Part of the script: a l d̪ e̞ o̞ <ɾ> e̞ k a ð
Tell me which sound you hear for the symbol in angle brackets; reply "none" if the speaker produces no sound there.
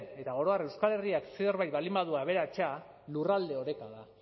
ɾ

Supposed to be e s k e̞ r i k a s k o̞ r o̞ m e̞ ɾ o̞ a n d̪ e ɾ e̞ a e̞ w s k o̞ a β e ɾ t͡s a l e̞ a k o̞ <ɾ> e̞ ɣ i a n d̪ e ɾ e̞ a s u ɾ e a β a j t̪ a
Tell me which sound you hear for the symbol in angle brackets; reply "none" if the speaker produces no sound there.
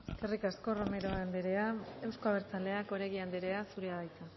ɾ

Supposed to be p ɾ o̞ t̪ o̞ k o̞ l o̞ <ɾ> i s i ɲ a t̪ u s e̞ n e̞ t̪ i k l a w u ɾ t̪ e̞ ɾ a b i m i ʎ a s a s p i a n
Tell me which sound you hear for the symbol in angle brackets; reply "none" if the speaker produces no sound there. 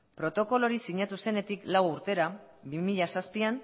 ɾ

